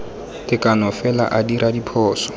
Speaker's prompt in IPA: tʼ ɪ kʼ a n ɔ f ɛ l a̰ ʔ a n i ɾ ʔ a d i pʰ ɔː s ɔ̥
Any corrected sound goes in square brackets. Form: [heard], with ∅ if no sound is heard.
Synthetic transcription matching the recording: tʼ ɪ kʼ a n ɔ f ɛ l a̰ ʔ a [d] i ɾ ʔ a d i pʰ ɔː s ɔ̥